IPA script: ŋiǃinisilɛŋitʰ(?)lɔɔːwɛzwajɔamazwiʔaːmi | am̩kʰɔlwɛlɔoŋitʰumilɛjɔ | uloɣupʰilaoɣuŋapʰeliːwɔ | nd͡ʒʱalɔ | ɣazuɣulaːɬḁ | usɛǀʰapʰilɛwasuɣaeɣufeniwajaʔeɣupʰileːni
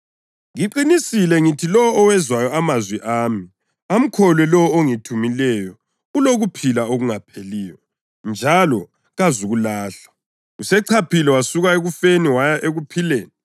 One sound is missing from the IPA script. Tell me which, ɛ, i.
i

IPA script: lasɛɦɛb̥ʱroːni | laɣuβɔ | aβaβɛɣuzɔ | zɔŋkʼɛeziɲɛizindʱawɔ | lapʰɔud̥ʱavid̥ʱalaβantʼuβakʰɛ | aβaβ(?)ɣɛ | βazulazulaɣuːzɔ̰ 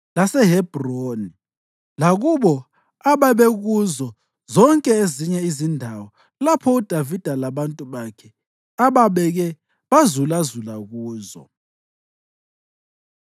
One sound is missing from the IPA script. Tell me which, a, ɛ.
ɛ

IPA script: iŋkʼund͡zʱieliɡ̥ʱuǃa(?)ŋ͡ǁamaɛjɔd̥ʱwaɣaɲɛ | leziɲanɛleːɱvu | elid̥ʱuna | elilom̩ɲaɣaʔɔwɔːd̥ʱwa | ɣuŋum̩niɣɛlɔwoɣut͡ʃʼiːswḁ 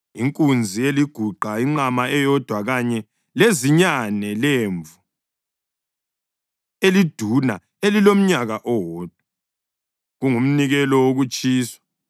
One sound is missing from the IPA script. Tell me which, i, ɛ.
i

